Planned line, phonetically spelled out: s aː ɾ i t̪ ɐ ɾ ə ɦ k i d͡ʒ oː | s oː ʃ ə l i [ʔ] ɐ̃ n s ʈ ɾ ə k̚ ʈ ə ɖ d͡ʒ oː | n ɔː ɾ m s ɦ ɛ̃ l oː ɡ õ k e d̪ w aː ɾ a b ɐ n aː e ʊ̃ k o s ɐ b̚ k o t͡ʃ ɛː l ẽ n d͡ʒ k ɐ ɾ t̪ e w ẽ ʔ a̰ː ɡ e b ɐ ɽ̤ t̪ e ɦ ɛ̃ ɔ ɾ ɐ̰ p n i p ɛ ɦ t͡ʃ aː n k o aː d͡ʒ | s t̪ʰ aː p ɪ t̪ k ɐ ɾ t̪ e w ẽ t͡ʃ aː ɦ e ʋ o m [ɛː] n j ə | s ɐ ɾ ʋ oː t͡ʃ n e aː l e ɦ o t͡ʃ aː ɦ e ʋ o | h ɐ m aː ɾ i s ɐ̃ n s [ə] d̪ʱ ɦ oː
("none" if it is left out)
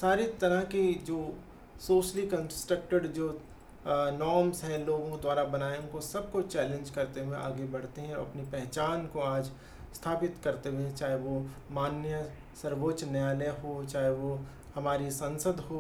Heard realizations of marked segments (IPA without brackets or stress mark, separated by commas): k, aː, ə